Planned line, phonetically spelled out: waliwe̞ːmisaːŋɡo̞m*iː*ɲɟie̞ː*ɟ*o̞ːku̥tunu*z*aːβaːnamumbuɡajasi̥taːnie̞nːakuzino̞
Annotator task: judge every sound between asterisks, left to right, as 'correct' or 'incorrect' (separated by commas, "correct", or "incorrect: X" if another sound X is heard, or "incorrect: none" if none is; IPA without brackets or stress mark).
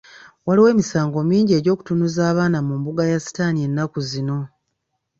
correct, correct, correct